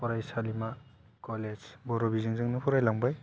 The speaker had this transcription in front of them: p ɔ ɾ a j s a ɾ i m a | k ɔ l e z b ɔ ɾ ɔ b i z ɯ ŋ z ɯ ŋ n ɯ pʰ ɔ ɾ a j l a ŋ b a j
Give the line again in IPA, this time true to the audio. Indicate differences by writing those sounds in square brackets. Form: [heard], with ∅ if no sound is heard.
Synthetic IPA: p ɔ ɾ a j s a [l] i m a | k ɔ l e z b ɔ ɾ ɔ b i z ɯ ŋ z ɯ ŋ n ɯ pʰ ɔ ɾ a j l a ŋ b a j